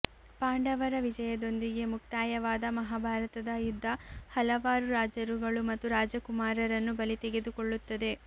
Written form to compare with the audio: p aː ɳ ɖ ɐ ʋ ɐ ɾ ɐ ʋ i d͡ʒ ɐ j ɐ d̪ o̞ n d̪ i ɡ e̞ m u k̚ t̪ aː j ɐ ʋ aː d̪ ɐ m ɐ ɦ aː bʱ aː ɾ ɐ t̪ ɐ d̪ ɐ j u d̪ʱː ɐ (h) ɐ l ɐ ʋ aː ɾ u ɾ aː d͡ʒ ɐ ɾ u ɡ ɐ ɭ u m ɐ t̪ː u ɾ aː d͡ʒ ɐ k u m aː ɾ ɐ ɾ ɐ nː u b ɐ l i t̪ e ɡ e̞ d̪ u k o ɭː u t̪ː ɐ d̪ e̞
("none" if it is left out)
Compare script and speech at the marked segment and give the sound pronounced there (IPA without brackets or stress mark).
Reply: h